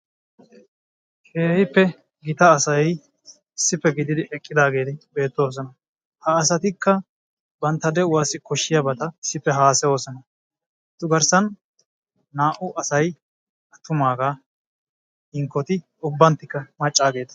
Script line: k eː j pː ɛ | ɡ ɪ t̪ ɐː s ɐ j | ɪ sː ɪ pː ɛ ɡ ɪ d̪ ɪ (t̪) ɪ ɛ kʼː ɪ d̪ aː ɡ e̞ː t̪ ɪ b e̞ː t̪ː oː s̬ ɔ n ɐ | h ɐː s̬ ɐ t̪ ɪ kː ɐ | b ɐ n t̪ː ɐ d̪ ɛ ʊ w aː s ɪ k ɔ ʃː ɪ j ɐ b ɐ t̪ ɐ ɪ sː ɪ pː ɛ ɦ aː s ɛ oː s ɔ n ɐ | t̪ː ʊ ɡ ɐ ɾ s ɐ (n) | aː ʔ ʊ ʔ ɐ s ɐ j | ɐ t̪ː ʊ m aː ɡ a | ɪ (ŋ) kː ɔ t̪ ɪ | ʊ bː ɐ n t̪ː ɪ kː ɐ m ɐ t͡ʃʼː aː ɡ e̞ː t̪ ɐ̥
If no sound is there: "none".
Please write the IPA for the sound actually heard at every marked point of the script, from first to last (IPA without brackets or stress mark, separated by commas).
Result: d̪, nː, ŋ